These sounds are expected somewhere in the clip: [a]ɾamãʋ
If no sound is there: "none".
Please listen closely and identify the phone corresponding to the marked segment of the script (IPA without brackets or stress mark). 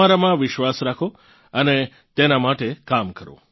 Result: a